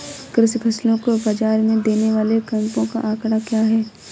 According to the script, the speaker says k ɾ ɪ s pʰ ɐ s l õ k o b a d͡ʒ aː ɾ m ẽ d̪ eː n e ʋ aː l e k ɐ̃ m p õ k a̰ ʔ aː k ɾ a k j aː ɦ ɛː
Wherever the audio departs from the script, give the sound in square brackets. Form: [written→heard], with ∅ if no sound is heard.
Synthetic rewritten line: k ɾ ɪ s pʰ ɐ s l õ k o b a d͡ʒ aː ɾ m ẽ d̪ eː n e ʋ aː l e k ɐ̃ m p õ k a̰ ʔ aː k [ɾ→ɽ] a k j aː ɦ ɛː

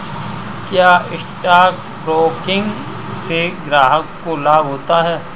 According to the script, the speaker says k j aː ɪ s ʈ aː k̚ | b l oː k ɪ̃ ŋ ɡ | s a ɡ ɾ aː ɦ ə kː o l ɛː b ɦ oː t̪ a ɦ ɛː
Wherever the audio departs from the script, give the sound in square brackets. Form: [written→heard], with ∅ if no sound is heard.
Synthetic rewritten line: k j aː ɪ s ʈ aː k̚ | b [l→ɾ] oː k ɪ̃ ŋ ɡ | s [a→e] ɡ ɾ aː ɦ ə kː o l [ɛː→aː] b ɦ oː t̪ a ɦ ɛː

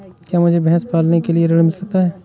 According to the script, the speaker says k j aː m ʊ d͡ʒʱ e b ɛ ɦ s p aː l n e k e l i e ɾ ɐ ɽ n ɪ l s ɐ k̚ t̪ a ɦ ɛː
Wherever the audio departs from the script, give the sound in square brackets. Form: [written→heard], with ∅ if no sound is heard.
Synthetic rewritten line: k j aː m ʊ d͡ʒʱ e b ɛ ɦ s p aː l n e k e l i e ɾ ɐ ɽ [n→m] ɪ l s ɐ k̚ t̪ a ɦ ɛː

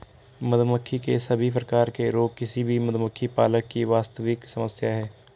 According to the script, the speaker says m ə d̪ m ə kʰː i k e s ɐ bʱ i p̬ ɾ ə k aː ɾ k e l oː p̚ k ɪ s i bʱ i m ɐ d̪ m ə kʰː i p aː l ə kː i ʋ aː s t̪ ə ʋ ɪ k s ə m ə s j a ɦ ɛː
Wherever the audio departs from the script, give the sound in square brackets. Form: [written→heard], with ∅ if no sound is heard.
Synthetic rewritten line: m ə d̪ m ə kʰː i k e s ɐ bʱ i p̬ ɾ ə k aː ɾ k e [l→ɾ] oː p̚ k ɪ s i bʱ i m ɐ d̪ m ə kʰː i p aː l ə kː i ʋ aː s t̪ ə ʋ ɪ k s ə m ə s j a ɦ ɛː

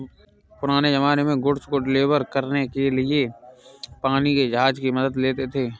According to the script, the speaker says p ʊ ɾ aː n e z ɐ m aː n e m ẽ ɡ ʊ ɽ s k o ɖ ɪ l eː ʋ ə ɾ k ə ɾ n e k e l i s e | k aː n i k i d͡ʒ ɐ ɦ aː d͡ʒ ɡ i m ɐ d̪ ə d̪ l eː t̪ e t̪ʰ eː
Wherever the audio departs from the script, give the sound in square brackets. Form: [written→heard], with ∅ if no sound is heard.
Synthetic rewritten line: p ʊ ɾ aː n e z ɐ m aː n e m ẽ ɡ ʊ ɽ s k o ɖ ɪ l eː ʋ ə ɾ k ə ɾ n e k e l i [s→∅] e | [k→p] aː n i k [i→e] d͡ʒ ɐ ɦ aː d͡ʒ [ɡ→k] i m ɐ d̪ ə d̪ l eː t̪ e t̪ʰ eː

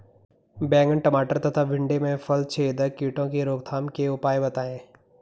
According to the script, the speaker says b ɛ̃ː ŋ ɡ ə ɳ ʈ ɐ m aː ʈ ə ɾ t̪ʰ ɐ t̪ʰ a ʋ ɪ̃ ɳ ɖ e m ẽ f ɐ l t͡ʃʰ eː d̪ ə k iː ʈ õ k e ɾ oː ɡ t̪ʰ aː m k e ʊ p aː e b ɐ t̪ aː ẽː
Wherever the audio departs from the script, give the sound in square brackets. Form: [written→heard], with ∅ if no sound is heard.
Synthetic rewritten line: b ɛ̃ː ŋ ɡ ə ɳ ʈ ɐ m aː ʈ ə ɾ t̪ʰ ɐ t̪ʰ a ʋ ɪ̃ ɳ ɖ e m ẽ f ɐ l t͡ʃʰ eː d̪ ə k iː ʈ õ k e ɾ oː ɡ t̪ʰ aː m k e ʊ p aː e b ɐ t̪ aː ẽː

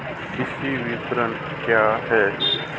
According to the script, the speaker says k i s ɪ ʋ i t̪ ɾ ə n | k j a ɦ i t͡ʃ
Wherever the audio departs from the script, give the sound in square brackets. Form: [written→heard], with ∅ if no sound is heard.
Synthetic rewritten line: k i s [ɪ→i] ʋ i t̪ ɾ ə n | k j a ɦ [i→ɛ] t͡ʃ

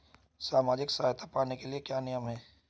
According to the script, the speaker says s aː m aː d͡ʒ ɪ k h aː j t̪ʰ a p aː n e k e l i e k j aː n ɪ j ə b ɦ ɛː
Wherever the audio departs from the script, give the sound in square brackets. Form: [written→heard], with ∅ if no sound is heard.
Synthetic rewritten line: s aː m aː d͡ʒ ɪ k [h→s] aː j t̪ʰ a p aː n e k e l i e k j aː n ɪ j ə [b→m] ɦ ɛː

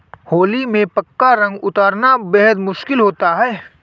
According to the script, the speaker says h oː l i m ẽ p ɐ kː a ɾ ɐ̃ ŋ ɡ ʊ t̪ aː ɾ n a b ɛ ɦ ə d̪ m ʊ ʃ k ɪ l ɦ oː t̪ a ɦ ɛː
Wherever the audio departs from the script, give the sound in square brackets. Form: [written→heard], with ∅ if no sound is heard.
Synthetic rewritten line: h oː l i m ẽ p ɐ kː a ɾ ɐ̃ ŋ ɡ ʊ t̪ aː ɾ n a b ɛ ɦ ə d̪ m ʊ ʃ k ɪ l ɦ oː t̪ a ɦ ɛː

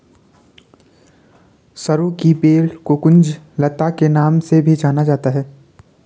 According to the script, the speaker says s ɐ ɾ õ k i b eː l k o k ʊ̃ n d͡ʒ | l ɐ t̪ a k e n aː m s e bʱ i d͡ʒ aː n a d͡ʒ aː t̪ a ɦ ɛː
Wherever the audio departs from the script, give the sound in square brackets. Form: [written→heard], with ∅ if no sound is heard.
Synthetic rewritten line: s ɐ ɾ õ k i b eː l k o k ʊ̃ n d͡ʒ | l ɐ t̪ a k e n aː m s e bʱ i d͡ʒ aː n a d͡ʒ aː t̪ a ɦ ɛː

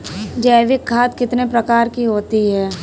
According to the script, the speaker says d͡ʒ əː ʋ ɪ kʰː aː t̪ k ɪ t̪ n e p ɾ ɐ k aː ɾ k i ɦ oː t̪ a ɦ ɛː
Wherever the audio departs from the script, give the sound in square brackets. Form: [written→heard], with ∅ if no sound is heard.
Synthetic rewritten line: d͡ʒ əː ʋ ɪ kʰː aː t̪ k ɪ t̪ n e p ɾ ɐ k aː ɾ k i ɦ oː t̪ [a→i] ɦ ɛː

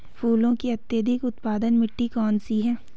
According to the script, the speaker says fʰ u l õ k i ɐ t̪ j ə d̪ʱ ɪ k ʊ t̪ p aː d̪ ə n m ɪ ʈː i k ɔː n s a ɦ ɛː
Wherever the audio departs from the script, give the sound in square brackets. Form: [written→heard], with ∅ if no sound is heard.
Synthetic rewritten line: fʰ [u→uː] l õ k i ɐ t̪ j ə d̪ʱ ɪ k ʊ t̪ p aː d̪ ə n m ɪ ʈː i k ɔː n s [a→i] ɦ ɛː

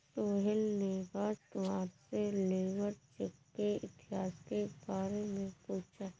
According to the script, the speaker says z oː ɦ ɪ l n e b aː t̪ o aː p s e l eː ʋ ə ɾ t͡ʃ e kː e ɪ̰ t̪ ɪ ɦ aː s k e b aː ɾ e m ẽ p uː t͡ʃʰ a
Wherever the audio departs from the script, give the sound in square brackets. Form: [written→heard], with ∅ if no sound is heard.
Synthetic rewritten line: [z→s] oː ɦ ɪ l n e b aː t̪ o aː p s e l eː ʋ ə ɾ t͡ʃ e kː e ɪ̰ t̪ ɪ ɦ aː s k e b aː ɾ e m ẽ p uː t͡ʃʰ a

